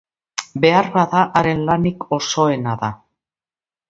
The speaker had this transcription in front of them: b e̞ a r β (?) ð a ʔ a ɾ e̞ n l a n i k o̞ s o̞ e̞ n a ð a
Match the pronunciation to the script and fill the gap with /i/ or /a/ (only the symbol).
a